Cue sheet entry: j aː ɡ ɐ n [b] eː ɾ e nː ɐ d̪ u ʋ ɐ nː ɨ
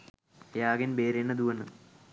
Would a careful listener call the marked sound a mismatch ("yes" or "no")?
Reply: no